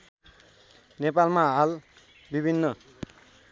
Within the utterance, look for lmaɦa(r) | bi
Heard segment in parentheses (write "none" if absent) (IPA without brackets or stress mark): l